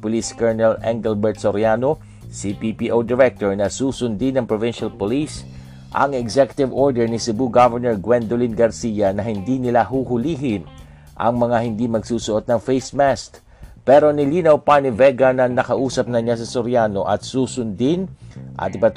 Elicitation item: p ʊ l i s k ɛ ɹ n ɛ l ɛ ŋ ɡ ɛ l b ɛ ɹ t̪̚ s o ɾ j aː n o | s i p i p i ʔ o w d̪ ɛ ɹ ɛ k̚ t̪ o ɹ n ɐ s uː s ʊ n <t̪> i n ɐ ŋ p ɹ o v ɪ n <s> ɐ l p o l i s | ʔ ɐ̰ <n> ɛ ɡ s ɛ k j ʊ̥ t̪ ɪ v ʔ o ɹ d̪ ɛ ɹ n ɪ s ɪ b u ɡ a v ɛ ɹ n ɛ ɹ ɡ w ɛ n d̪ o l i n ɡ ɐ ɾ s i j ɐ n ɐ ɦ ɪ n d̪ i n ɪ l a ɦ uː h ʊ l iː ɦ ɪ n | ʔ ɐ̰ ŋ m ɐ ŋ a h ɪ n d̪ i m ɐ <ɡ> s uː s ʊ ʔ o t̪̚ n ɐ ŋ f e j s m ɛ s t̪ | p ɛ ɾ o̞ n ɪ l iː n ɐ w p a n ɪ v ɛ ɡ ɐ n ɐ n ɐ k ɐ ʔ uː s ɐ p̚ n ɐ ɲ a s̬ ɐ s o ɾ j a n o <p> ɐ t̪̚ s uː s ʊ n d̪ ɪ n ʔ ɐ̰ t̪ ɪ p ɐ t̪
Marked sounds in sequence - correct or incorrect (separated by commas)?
incorrect, incorrect, incorrect, correct, incorrect